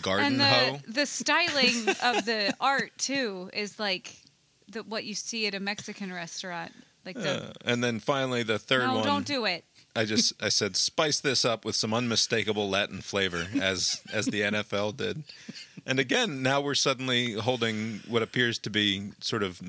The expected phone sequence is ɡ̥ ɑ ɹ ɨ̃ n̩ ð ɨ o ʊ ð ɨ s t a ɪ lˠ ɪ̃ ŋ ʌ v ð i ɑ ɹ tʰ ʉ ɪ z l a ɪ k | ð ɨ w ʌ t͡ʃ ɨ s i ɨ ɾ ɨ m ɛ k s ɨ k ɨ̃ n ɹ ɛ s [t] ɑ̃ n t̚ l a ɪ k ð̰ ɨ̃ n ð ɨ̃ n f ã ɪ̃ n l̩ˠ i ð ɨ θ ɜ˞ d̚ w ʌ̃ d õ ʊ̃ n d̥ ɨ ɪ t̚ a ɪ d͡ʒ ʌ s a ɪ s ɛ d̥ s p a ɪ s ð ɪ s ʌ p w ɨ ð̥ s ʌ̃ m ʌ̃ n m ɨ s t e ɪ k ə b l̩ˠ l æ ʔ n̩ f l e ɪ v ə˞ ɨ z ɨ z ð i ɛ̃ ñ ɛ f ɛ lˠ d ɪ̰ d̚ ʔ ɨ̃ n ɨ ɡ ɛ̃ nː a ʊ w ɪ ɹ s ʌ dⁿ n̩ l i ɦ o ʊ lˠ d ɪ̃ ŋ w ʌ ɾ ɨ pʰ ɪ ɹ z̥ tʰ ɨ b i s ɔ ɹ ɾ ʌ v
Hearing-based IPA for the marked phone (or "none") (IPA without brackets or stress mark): t